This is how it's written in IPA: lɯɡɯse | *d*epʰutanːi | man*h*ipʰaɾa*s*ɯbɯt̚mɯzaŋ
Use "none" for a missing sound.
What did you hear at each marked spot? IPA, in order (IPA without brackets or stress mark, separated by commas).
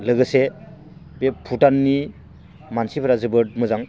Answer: b, s, z